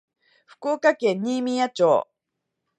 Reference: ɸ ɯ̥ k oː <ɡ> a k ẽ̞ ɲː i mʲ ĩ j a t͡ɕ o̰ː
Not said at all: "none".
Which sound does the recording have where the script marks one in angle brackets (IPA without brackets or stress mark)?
k